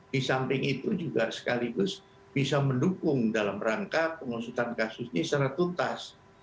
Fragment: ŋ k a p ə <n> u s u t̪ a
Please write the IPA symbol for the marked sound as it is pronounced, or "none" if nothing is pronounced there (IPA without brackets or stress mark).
ŋ